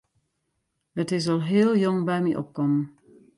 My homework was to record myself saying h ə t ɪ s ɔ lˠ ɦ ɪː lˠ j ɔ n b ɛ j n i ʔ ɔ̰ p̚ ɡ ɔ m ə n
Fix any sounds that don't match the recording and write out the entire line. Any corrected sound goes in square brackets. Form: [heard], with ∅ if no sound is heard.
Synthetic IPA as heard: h ə t ɪ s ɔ lˠ ɦ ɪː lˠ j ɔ [ŋ] b ɛ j [m] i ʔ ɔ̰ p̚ [k] ɔ m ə n